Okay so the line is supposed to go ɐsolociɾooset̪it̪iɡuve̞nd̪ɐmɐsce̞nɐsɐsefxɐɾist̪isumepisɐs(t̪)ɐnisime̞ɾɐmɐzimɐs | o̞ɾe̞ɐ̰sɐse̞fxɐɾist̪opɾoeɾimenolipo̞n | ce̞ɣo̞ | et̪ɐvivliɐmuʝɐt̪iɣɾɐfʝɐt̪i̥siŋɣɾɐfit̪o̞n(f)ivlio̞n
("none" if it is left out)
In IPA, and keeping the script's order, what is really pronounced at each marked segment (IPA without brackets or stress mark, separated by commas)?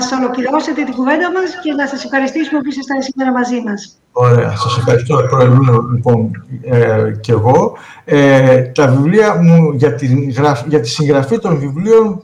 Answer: t̪, v